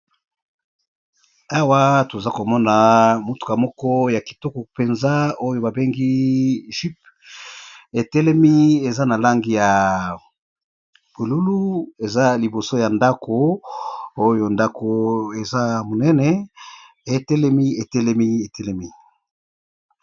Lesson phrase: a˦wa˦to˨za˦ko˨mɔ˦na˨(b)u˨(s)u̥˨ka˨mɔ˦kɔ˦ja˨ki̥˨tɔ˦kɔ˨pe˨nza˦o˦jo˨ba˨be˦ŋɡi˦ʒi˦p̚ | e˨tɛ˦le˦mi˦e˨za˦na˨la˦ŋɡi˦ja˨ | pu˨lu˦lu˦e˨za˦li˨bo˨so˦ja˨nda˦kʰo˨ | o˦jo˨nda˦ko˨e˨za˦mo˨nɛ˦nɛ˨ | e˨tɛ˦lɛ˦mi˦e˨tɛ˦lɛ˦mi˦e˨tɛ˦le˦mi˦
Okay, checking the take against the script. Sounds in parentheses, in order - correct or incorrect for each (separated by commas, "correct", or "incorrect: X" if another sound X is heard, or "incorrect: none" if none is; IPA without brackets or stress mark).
incorrect: m, incorrect: t